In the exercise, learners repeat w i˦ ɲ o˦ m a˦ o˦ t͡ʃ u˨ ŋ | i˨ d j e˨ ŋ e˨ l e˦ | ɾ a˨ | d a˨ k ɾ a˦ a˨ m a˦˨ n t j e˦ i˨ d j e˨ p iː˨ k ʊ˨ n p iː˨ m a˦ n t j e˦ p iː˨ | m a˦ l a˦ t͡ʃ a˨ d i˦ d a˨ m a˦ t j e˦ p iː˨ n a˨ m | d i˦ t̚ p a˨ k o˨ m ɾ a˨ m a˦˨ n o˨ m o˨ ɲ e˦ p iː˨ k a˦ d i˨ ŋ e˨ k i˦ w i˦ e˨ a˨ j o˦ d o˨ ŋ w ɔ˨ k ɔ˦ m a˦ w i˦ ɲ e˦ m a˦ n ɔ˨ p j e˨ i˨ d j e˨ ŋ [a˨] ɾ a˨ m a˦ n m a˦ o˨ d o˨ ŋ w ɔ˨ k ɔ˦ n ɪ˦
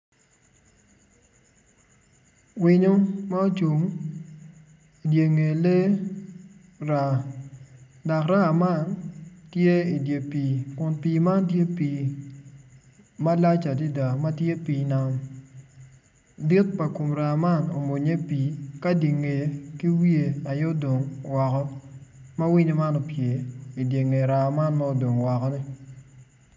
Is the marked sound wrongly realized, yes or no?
yes